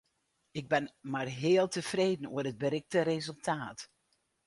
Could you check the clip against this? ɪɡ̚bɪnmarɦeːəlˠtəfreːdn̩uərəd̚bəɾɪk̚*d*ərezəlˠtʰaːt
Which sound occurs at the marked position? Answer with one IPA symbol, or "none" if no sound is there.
t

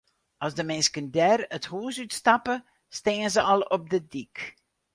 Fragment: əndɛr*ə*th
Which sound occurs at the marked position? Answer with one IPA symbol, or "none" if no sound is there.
ə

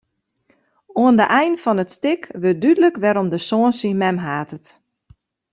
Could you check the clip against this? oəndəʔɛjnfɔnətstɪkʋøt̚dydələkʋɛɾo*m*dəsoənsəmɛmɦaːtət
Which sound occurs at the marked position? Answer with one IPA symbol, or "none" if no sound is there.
m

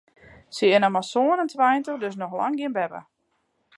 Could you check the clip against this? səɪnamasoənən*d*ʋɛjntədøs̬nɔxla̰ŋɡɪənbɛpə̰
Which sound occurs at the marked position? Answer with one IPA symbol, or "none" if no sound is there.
t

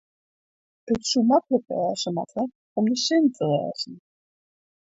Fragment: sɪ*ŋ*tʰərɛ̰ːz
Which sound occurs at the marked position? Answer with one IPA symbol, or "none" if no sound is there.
n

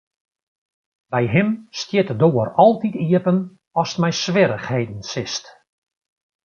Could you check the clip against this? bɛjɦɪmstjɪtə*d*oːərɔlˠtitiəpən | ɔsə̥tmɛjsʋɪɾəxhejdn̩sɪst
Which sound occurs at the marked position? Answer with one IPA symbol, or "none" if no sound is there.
d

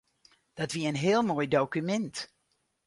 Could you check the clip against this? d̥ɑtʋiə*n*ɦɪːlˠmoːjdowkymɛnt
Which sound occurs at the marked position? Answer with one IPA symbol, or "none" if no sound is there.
n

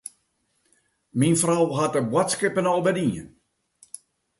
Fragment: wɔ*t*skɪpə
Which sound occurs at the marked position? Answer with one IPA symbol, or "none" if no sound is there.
t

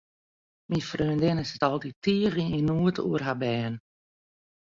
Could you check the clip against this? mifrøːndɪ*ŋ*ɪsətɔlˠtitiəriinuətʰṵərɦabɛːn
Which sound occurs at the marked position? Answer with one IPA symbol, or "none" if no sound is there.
n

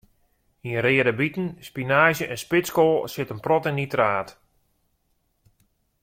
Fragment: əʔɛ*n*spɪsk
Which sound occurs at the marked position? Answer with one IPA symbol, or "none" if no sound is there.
n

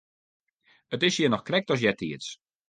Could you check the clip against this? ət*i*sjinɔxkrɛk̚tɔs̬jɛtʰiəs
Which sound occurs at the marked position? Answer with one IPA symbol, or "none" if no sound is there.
ɪ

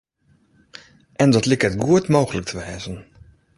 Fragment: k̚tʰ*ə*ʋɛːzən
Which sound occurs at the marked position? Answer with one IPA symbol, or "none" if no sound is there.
ə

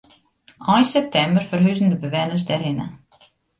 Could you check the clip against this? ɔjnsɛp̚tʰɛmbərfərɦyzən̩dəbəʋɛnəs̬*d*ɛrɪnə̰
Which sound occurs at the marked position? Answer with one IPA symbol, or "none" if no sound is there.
d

